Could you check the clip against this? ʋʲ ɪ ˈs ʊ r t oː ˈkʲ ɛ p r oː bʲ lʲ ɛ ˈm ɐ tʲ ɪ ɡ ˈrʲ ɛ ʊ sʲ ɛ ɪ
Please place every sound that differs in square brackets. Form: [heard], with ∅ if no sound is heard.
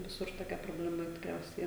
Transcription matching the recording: ʋʲ ɪ ˈs ʊ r t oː ˈkʲ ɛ p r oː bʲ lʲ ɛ ˈm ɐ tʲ ɪ [k] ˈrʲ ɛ ʊ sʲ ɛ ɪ